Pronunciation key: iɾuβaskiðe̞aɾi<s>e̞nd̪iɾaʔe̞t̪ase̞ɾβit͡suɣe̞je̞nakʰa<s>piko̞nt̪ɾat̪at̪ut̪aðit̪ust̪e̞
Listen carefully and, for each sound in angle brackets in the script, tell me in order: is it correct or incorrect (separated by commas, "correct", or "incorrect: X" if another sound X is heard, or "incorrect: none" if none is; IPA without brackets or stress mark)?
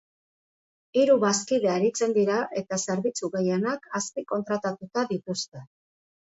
incorrect: t͡s, correct